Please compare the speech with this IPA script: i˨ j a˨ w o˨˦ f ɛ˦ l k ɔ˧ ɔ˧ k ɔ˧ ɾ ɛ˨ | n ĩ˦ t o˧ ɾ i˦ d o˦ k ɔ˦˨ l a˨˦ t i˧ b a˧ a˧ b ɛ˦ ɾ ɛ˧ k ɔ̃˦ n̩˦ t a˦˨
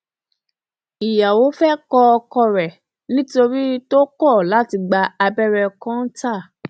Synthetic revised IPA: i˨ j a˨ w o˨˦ f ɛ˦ k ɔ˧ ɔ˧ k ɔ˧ ɾ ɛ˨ | n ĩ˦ t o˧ ɾ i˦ t o˦ k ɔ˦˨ l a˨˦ t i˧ ɡ͡b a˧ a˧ b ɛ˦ ɾ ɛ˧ k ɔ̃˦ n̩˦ t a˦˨